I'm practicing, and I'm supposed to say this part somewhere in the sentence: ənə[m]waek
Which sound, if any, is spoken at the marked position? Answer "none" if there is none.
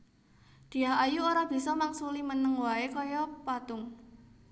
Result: ŋ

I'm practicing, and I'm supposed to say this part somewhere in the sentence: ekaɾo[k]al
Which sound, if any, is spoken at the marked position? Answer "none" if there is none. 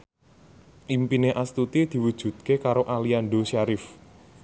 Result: ʔ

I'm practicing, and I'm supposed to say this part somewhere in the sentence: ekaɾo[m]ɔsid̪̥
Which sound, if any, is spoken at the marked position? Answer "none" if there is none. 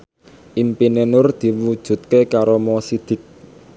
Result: m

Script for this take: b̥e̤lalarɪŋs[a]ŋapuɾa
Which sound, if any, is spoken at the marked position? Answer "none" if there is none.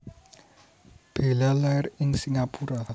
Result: i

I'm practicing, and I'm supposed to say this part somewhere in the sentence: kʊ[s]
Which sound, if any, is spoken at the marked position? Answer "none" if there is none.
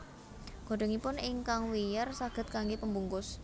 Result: s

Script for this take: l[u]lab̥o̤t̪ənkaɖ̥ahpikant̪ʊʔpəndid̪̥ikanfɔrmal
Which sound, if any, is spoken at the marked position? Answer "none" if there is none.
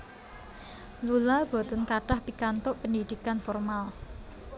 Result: u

